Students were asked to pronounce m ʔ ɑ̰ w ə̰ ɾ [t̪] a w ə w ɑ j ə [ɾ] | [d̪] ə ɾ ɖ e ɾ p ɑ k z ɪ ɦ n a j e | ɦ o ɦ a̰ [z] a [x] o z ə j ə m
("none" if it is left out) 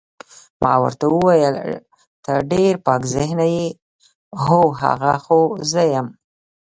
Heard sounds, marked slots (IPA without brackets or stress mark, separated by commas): t̪, l, t̪, ɣ, x